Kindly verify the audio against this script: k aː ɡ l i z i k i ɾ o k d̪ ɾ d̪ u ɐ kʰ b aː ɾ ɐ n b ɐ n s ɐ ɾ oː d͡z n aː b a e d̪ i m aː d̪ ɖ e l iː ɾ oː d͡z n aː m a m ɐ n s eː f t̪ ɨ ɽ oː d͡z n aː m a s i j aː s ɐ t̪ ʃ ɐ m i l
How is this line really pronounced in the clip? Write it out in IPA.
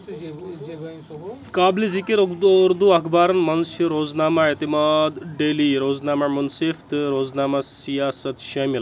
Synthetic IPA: k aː b l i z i k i ɾ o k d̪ ɾ d̪ u ɐ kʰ b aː ɾ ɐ n m ɐ n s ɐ ɾ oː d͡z n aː m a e t̪ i m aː d̪ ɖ e l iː ɾ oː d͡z n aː m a m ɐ n s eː f t̪ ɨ ɾ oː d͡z n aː m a s i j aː s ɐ t̪ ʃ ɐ m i l